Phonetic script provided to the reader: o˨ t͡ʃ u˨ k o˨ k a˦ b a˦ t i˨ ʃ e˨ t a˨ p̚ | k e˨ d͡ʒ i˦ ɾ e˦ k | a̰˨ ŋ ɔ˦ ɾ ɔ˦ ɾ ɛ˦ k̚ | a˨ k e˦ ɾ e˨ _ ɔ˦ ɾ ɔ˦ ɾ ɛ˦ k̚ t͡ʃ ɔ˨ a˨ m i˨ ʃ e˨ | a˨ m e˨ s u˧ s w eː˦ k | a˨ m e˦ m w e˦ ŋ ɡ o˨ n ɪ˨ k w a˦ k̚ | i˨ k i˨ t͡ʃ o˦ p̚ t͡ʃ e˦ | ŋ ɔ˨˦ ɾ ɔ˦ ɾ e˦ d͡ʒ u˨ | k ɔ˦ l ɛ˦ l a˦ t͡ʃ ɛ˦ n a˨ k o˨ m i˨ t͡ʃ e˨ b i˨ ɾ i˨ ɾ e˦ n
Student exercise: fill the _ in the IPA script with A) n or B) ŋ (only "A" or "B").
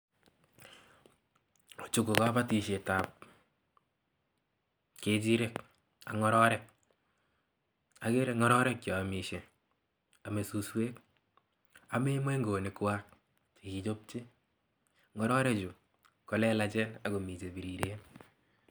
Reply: B